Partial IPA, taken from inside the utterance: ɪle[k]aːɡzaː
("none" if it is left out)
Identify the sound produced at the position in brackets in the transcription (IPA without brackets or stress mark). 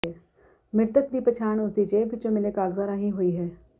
k